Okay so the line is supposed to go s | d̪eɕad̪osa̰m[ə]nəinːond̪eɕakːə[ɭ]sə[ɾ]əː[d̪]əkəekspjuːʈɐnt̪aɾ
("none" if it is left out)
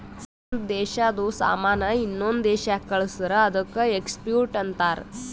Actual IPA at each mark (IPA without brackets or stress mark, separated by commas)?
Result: a, ɭ, ɾ, d̪